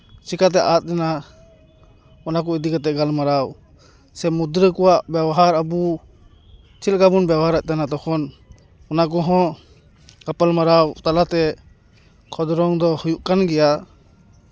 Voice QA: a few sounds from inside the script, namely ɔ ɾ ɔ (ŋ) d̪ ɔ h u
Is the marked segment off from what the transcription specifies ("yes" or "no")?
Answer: no